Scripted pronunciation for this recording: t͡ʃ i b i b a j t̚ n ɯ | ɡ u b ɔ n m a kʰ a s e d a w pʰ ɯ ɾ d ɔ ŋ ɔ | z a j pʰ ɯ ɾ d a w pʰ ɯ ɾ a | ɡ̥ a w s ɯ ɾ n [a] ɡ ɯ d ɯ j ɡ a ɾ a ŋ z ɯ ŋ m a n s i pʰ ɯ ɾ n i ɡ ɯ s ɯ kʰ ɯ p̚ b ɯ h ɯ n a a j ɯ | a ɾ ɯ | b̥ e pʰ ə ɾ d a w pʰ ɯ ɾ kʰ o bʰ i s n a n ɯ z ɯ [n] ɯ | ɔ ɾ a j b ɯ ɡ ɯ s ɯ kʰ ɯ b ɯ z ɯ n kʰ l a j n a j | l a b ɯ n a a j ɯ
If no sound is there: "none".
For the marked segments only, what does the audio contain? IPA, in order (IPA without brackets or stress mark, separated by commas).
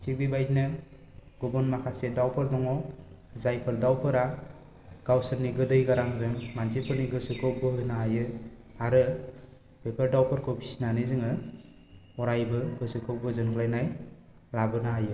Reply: i, ŋ